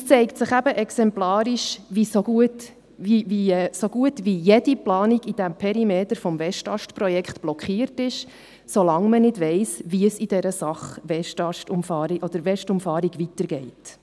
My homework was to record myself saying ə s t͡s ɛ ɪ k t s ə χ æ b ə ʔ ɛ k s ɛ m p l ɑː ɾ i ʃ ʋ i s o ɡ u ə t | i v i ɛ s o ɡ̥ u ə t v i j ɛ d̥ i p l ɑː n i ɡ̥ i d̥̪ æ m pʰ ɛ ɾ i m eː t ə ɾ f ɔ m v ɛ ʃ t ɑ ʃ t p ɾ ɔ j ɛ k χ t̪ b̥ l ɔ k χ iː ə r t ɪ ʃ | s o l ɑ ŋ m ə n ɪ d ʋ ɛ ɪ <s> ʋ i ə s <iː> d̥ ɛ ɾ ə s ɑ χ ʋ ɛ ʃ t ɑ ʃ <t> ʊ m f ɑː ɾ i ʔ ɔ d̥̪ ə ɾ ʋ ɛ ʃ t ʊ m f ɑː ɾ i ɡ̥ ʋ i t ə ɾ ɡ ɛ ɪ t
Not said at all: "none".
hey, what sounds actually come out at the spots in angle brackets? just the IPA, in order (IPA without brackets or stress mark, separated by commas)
s, i, t